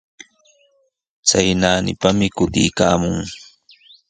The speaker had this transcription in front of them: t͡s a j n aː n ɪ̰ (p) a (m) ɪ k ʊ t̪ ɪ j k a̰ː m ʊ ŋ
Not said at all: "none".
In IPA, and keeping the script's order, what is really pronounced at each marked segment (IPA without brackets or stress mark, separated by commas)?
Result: p, m